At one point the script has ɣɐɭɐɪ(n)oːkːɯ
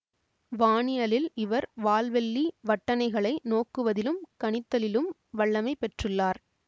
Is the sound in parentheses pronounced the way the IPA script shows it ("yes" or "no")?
yes